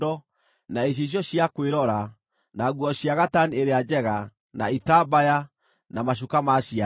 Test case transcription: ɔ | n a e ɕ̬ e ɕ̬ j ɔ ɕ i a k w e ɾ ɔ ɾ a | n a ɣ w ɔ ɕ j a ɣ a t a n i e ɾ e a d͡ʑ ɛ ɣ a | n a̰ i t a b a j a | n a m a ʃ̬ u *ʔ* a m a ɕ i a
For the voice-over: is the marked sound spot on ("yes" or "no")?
no